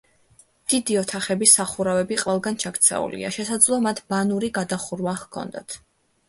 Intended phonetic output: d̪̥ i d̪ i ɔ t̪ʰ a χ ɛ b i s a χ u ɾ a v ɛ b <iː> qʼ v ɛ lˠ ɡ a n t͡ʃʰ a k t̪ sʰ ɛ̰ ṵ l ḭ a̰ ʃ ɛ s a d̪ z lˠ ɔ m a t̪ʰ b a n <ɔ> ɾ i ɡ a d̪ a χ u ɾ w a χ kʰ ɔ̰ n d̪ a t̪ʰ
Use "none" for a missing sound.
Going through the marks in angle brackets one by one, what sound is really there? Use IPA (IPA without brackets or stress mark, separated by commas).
i, u